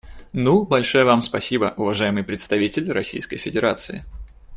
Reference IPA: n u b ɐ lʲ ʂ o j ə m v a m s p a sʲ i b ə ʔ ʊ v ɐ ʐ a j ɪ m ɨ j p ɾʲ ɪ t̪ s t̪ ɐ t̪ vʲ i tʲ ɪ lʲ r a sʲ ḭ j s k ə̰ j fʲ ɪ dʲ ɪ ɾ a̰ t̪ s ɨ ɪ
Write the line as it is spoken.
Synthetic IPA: n u b ɐ lʲ ʂ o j ə v a m s p ɐ sʲ i b ə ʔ ʊ v ɐ ʐ a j ɪ m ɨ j p ɾʲ ɪ t̪ s t̪ ɐ vʲ i tʲ ɪ lʲ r ɐ sʲ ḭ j s k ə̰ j fʲ ɪ dʲ ɪ ɾ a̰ t̪ s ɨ ɪ